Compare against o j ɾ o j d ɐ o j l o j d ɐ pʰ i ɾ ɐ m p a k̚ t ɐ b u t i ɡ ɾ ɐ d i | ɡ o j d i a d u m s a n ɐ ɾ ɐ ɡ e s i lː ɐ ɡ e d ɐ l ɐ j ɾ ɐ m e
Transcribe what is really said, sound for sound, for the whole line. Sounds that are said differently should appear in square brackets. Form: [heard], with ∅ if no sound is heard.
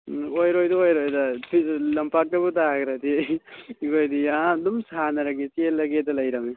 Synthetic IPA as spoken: o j ɾ o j d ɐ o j [ɾ] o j d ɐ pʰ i [l] ɐ m p a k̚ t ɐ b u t [a] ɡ ɾ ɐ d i | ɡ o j d i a d u m s a n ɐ ɾ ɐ ɡ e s [e] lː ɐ ɡ e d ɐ l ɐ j ɾ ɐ m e